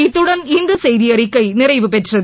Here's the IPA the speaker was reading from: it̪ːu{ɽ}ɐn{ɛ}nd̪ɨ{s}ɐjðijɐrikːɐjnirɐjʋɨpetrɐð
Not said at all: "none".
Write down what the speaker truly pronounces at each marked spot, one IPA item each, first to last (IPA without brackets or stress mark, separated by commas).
ɽ, i, s